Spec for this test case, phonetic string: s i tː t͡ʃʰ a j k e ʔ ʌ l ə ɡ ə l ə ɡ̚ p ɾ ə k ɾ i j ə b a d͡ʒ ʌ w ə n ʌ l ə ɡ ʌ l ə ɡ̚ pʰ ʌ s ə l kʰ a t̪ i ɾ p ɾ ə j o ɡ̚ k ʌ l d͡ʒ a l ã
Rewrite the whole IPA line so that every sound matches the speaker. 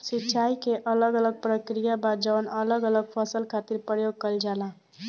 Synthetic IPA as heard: s i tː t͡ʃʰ a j k e ʔ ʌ l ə ɡ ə l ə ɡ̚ p ɾ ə k ɾ i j a b a d͡ʒ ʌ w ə n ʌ l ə ɡ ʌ l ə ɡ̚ pʰ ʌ s ə l kʰ a t̪ i ɾ p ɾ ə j o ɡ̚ k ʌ l d͡ʒ a l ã